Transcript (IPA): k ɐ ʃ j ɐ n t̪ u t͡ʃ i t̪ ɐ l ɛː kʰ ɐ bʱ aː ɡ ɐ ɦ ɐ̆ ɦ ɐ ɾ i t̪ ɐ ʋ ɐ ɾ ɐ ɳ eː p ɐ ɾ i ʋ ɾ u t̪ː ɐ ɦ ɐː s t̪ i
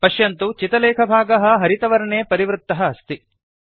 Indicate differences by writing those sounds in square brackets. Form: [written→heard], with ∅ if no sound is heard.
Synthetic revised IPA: [k→p] ɐ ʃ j ɐ n t̪ u t͡ʃ i t̪ ɐ l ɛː kʰ ɐ bʱ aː ɡ ɐ ɦ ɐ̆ ɦ ɐ ɾ i t̪ ɐ ʋ ɐ ɾ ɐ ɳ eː p ɐ ɾ i ʋ ɾ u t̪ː ɐ ɦ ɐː s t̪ i

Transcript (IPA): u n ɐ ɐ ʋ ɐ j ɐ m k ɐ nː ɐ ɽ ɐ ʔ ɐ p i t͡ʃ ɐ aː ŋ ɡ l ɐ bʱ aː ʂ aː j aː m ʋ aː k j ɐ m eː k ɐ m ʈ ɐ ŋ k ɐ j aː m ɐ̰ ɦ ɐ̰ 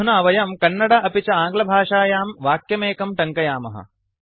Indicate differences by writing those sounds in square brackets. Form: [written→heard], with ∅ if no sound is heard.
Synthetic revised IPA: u n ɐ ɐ ʋ ɐ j ɐ m k ɐ nː ɐ ɽ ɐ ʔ ɐ p i t͡ʃ ɐ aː ŋ ɡ l ɐ bʱ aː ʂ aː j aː m ʋ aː k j ɐ m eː k ɐ m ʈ ɐ ŋ k ɐ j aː m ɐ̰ ɦ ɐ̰

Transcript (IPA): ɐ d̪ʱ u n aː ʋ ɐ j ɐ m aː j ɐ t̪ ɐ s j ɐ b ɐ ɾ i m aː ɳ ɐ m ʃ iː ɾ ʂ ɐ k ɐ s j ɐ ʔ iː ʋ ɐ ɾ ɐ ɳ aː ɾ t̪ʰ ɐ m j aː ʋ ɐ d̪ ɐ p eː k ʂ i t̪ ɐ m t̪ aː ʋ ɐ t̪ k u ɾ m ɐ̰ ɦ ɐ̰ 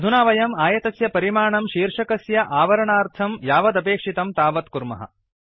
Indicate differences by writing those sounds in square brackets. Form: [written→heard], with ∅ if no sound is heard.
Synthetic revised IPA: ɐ d̪ʱ u n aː ʋ ɐ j ɐ m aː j ɐ t̪ ɐ s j ɐ [b→p] ɐ ɾ i m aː ɳ ɐ m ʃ iː ɾ ʂ ɐ k ɐ s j ɐ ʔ [iː→aː] ʋ ɐ ɾ ɐ ɳ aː ɾ t̪ʰ ɐ m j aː ʋ ɐ d̪ ɐ p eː k ʂ i t̪ ɐ m t̪ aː ʋ ɐ t̪ k u ɾ m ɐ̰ ɦ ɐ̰

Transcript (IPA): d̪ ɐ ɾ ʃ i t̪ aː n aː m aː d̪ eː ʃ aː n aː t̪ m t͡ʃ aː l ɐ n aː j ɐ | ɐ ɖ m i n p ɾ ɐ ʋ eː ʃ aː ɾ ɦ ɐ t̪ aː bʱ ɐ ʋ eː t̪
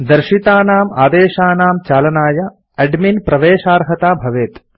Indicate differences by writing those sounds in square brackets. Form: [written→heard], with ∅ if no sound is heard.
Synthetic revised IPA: d̪ ɐ ɾ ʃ i t̪ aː n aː m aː d̪ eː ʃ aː n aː [t̪→∅] m t͡ʃ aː l ɐ n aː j ɐ | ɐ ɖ m i n p ɾ ɐ ʋ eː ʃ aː ɾ ɦ ɐ t̪ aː bʱ ɐ ʋ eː t̪

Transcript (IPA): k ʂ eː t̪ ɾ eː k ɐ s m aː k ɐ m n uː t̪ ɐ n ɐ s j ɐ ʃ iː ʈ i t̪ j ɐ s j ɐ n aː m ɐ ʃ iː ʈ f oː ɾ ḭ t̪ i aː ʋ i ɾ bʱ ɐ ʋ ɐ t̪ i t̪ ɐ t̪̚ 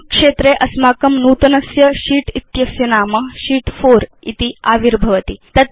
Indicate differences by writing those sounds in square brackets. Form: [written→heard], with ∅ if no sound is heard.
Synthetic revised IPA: k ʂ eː t̪ ɾ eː [k→ʔ] ɐ s m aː k ɐ m n uː t̪ ɐ n ɐ s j ɐ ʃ iː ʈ i t̪ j ɐ s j ɐ n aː m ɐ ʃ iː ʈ f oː ɾ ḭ t̪ i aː ʋ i ɾ bʱ ɐ ʋ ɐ t̪ i t̪ ɐ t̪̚

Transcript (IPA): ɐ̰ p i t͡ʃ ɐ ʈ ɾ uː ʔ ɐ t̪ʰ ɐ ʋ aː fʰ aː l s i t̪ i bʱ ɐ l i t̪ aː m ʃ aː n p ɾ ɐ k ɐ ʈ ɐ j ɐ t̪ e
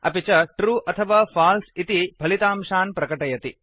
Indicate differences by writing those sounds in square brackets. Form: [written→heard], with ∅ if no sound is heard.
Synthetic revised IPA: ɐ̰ p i t͡ʃ ɐ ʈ ɾ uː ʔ ɐ t̪ʰ ɐ ʋ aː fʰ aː l s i t̪ i bʱ ɐ l i t̪ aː m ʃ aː n p ɾ ɐ k ɐ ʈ ɐ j ɐ t̪ [e→i]

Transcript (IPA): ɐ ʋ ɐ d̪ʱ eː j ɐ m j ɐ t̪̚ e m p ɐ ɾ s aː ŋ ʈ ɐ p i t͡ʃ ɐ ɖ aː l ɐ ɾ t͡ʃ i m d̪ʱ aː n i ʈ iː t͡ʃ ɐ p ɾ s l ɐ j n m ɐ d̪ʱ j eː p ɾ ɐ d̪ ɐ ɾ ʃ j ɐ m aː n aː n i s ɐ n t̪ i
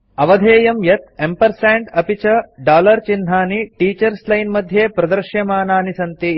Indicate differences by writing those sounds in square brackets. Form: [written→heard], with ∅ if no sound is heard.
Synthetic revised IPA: ɐ ʋ ɐ d̪ʱ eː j ɐ m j ɐ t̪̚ e m p ɐ ɾ s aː [ŋ→ɳ] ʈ ɐ p i t͡ʃ ɐ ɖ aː l ɐ ɾ t͡ʃ i [m→n] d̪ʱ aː n i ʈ iː t͡ʃ ɐ [p→∅] ɾ s l ɐ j n m ɐ d̪ʱ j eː p ɾ ɐ d̪ ɐ ɾ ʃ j ɐ m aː n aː n i s ɐ n t̪ i

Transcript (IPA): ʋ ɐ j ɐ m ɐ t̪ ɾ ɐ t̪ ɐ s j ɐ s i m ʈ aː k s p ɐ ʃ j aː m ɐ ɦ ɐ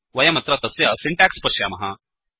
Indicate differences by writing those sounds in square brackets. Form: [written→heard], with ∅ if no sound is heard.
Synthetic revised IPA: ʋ ɐ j ɐ m ɐ t̪ ɾ ɐ t̪ ɐ s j ɐ s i [m→ɳ] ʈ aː k s p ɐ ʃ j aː m ɐ ɦ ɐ

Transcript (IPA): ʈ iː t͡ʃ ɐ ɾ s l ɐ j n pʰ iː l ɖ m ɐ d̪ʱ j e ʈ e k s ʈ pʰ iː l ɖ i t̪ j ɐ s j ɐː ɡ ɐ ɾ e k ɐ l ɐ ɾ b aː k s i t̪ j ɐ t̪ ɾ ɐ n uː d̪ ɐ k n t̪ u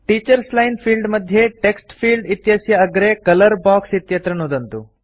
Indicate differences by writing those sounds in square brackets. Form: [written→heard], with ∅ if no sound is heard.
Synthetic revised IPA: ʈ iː t͡ʃ ɐ ɾ s l ɐ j n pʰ iː l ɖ m ɐ d̪ʱ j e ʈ e k s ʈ pʰ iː l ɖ i t̪ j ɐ s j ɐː ɡ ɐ ɾ e k ɐ l ɐ ɾ b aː k s i t̪ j ɐ t̪ ɾ ɐ n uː d̪ ɐ [k→∅] n t̪ u

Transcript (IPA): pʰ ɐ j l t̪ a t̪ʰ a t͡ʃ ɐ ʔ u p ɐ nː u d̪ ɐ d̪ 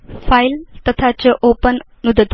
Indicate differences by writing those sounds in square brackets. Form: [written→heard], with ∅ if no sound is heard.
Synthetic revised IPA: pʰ [ɐ→a] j l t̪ [a→ɐ] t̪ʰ a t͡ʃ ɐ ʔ [u→o] p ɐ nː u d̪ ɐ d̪

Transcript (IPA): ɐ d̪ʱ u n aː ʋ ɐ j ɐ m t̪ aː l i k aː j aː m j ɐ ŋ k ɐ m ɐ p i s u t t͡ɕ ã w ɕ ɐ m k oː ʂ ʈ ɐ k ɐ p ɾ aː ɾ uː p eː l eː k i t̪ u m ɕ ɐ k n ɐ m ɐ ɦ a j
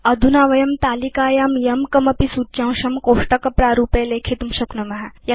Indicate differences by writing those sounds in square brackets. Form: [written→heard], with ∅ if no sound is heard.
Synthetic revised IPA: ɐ d̪ʱ u n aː ʋ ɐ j ɐ m t̪ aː l i k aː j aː m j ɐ [ŋ→m] k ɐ m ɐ p i s u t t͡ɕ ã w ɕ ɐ m k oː ʂ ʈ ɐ k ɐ p ɾ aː ɾ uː p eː l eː [k→kʰ] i t̪ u m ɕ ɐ k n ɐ m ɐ ɦ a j

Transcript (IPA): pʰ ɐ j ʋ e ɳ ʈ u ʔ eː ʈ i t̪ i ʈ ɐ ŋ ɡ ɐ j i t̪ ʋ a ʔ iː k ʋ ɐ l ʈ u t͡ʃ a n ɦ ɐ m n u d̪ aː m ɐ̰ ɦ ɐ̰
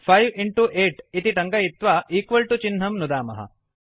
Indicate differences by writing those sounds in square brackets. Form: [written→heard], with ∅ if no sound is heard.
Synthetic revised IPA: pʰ ɐ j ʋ [e→i] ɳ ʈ u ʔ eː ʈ i t̪ i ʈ ɐ ŋ ɡ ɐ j i t̪ ʋ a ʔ iː k ʋ ɐ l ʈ u t͡ʃ [a→i] n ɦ ɐ m n u d̪ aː m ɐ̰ ɦ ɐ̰

